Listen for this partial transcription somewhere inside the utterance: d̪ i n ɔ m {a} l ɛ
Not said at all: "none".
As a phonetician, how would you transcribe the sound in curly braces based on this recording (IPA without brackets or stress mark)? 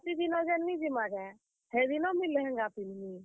i